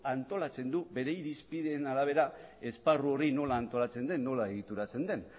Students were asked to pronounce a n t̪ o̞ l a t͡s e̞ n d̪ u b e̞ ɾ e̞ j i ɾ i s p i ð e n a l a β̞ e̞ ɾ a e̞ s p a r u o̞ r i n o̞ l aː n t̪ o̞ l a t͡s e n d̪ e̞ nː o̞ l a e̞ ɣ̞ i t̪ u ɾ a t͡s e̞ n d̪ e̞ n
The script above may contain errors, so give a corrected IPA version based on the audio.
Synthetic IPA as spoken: a n t̪ o̞ l a t͡s e̞ n d̪ u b e̞ ɾ e̞ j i ɾ i s p i ð e n a l a β̞ e̞ ɾ a e̞ s p a r u o̞ r i n o̞ l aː n t̪ o̞ l a t͡s e n d̪ e̞ nː o̞ l a e̞ ɣ̞ i t̪ u ɾ a t͡s e̞ n d̪ e̞ n